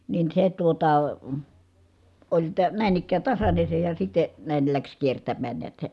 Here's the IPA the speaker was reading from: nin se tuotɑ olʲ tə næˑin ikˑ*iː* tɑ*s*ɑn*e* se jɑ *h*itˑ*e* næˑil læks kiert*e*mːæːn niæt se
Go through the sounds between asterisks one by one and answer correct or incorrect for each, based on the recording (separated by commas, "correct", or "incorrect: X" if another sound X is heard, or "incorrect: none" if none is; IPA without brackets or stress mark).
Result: incorrect: æː, correct, correct, incorrect: s, correct, incorrect: æ